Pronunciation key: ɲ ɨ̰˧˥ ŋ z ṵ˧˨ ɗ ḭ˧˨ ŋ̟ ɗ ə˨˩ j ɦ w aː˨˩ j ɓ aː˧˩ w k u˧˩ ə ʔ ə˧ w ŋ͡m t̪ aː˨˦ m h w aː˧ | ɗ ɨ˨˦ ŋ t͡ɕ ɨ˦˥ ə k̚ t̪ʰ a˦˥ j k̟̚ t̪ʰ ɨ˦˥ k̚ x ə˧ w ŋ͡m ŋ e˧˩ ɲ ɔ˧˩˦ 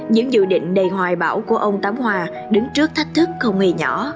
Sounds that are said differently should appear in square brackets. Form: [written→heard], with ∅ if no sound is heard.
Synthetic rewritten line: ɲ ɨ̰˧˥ ŋ z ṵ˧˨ ɗ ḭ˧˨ ŋ̟ ɗ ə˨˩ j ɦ w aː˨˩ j ɓ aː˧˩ w k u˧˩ ə ʔ ə˧ w ŋ͡m t̪ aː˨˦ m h w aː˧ | ɗ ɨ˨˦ ŋ t͡ɕ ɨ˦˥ ə k̚ t̪ʰ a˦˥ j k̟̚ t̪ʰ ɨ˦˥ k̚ x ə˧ w ŋ͡m ŋ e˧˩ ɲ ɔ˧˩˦